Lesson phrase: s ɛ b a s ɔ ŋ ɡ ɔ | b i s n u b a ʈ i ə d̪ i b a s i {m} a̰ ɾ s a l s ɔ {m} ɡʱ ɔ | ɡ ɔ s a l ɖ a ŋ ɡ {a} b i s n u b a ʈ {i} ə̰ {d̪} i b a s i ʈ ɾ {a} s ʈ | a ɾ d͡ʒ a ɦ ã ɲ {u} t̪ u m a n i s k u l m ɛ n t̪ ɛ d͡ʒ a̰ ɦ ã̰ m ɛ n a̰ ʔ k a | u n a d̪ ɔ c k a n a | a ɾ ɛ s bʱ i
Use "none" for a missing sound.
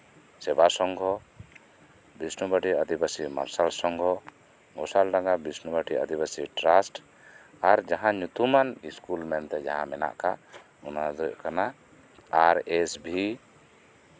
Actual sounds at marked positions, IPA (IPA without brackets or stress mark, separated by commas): m, ŋ, a, i, d̪, a, u